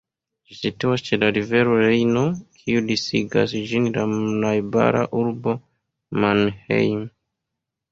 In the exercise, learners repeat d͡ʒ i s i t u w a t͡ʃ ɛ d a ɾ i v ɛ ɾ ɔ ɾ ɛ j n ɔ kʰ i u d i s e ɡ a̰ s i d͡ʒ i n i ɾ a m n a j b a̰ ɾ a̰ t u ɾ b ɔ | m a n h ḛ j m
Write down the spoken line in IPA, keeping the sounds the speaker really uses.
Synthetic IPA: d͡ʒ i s i t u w a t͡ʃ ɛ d a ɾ i v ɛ ɾ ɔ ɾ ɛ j n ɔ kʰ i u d i s i ɡ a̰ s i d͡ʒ i n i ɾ a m n a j b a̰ ɾ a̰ ʔ u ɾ b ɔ | m a n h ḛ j m